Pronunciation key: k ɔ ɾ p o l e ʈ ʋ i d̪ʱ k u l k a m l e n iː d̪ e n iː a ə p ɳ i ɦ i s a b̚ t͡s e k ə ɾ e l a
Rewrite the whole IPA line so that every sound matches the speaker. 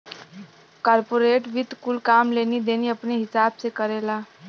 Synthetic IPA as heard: k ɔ ɾ p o ɾ e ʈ ʋ i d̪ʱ k u l k a m l e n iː d̪ e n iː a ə p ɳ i ɦ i s a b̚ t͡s e k ə ɾ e l a